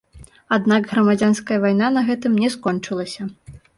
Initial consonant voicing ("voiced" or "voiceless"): voiced